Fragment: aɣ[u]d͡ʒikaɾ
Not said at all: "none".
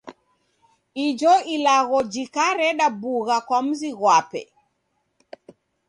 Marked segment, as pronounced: ɔ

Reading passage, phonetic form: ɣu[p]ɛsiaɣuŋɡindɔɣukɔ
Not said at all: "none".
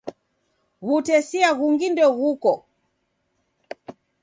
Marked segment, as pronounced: t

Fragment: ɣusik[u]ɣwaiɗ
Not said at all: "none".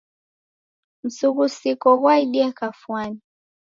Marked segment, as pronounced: ɔ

